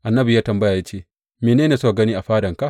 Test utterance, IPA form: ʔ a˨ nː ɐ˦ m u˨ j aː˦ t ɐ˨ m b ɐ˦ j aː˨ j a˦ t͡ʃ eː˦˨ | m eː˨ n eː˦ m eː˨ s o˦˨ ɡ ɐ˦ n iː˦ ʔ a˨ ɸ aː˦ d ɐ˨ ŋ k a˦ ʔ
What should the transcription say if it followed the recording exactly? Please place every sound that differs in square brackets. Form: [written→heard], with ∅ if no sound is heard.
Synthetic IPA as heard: ʔ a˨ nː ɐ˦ [m→b] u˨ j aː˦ t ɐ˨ m b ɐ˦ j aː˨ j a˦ t͡ʃ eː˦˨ | m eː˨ n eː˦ [m→n] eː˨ s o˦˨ ɡ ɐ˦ n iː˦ ʔ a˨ ɸ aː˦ d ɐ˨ ŋ k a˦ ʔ